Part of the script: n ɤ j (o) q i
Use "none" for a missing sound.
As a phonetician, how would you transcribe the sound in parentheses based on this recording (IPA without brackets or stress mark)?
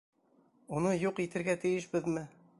u